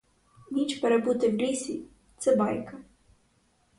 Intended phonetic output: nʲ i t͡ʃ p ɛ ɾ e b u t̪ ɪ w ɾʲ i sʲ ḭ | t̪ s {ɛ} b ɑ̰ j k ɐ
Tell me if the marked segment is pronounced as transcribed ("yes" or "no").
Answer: yes